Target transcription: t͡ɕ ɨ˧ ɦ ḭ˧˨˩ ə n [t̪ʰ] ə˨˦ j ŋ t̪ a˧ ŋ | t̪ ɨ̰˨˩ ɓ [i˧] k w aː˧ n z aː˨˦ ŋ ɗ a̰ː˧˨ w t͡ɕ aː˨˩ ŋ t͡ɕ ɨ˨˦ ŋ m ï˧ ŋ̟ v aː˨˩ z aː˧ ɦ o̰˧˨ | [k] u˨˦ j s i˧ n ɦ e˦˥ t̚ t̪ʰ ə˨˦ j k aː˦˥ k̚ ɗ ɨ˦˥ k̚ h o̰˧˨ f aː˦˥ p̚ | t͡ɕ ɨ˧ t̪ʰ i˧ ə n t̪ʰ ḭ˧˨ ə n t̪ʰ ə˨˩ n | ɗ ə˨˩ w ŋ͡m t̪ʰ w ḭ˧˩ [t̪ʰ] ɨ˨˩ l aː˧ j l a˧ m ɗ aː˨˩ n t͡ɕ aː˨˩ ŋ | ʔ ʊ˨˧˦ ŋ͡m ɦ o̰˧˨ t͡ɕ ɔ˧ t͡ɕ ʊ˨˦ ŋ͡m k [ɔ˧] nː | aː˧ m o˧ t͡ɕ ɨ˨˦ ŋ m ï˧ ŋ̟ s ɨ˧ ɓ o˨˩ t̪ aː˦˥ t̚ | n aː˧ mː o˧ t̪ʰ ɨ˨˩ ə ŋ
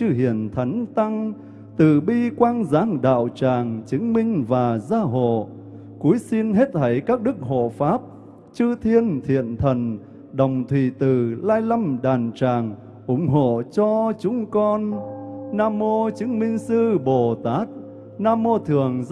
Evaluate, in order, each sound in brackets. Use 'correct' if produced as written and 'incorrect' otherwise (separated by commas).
correct, correct, correct, incorrect, correct